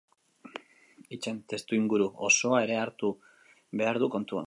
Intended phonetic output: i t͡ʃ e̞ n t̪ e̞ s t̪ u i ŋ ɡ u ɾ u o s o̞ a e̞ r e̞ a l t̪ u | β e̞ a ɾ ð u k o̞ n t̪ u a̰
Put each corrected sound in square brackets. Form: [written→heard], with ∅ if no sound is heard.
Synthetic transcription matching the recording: i t͡ʃ e̞ n t̪ e̞ s t̪ u i ŋ ɡ u ɾ u o s o̞ a e̞ [r→ɾ] e̞ a [l→ɾ] t̪ u | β e̞ a ɾ ð u k o̞ n t̪ u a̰

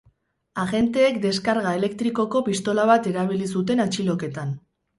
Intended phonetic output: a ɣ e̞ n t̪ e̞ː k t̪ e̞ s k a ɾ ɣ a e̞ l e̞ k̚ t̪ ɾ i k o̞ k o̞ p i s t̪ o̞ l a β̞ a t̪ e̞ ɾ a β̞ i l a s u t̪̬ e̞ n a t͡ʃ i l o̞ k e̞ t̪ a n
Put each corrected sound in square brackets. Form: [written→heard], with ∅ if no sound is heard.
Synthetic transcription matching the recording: a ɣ e̞ n t̪ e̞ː k [t̪→d̪] e̞ s k a ɾ ɣ a e̞ l e̞ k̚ t̪ ɾ i k o̞ k o̞ p i s t̪ o̞ l a β̞ a t̪ e̞ ɾ a β̞ i l [a→i] s u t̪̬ e̞ n a t͡ʃ i l o̞ k e̞ t̪ a n

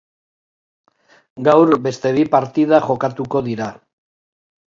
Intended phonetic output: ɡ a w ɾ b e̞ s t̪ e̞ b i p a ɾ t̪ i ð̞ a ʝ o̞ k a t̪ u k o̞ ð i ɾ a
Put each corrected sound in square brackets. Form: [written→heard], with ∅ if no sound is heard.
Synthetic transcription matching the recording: ɡ a w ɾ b e̞ s t̪ e̞ [b→β] i p a ɾ t̪ i ð̞ a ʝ o̞ k a t̪ u k o̞ ð i ɾ a

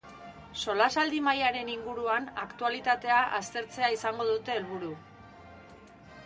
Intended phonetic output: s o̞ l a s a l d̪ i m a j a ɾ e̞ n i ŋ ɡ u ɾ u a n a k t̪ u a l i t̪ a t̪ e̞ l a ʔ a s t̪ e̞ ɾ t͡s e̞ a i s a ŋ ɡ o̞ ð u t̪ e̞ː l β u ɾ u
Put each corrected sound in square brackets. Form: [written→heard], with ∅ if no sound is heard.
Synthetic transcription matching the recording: s o̞ l a s a l d̪ i m a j a ɾ e̞ n i ŋ ɡ u ɾ u a n a k t̪ u a l i t̪ a t̪ e̞ [l→∅] a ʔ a s t̪ e̞ ɾ t͡s e̞ a i s a ŋ ɡ o̞ ð u t̪ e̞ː l β u ɾ u

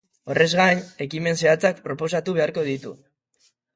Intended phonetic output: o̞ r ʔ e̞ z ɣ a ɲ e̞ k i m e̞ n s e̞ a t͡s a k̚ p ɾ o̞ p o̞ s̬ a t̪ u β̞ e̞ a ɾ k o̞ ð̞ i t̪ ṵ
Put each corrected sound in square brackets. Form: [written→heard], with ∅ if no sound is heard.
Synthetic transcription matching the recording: o̞ r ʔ e̞ z ɣ a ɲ e̞ k i m e̞ n s e̞ a t͡s a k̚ p ɾ o̞ p o̞ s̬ a t̪ u β̞ e̞ a ɾ k o̞ ð̞ i t̪ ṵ

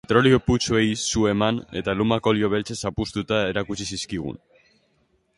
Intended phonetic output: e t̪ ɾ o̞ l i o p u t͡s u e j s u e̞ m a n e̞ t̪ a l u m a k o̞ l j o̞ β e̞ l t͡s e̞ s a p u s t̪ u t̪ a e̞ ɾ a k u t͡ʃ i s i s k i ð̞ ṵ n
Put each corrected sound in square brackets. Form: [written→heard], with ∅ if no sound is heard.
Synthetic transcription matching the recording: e t̪ ɾ o̞ l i o p u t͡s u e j s u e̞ m a n e̞ t̪ a l u m a k o̞ l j o̞ β e̞ l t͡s e̞ s a p u s t̪ u t̪ a e̞ ɾ a k u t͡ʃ i s i s k i [ð̞→ɣ̞] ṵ n

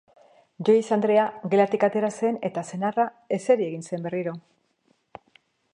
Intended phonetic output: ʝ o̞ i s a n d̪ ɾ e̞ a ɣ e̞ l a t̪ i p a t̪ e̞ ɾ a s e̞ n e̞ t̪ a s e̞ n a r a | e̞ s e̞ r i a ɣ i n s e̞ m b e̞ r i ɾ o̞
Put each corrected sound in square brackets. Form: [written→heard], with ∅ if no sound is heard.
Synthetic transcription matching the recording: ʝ o̞ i s a n d̪ ɾ e̞ a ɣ e̞ l a t̪ i [p→k] a t̪ e̞ ɾ a s e̞ n e̞ t̪ a s e̞ n a r a | e̞ s e̞ [r→ɾ] i [a→e] ɣ i n s e̞ m b e̞ r i ɾ o̞

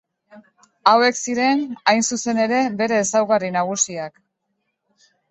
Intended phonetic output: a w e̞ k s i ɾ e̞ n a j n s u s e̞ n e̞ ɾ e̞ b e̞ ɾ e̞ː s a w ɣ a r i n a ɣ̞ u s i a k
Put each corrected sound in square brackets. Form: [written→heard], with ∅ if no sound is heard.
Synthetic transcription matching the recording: a w e̞ k s i ɾ e̞ n a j n s u s e̞ n e̞ ɾ e̞ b e̞ ɾ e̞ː s a w ɣ a r i n a ɣ̞ u s i a k

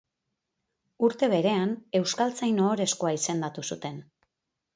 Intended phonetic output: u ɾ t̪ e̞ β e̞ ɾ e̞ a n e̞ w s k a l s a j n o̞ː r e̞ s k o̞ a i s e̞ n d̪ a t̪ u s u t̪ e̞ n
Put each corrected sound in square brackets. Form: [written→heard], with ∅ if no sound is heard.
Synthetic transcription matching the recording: u ɾ t̪ e̞ β e̞ ɾ e̞ a n e̞ w s k a l [s→t͡s] a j n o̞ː [r→ɾ] e̞ s k o̞ a i s e̞ n d̪ a t̪ u s u t̪ e̞ n

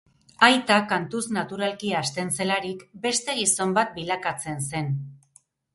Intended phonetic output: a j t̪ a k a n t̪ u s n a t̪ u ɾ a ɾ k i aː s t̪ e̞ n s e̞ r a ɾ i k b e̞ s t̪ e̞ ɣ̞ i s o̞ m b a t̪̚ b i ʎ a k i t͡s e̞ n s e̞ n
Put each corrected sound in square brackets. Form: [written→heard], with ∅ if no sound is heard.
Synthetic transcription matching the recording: a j t̪ a k a n t̪ u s n a t̪ u ɾ a [ɾ→l] k i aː s t̪ e̞ n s e̞ [r→l] a ɾ i k b e̞ s t̪ e̞ ɣ̞ i s o̞ m b a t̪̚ b i [ʎ→l] a k [i→a] t͡s e̞ n s e̞ n

